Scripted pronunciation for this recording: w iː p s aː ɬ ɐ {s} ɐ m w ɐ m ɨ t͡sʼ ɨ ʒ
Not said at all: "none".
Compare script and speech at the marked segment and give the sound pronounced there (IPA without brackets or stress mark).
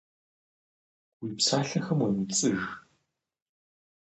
x